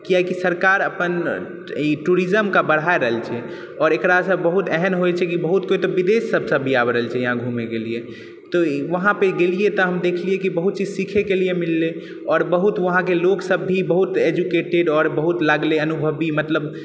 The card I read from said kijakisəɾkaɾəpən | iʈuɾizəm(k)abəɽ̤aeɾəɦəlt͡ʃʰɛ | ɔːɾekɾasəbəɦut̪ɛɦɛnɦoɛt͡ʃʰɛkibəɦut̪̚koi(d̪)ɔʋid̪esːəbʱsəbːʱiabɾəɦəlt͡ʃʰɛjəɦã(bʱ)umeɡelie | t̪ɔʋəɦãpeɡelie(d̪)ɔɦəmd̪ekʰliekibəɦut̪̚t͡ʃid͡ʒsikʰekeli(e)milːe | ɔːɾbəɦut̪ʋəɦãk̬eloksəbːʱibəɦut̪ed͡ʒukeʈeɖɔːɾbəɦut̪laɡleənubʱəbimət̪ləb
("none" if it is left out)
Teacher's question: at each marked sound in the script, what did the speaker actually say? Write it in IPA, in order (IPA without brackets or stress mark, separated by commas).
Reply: k, t̪, ɡʱ, t̪, e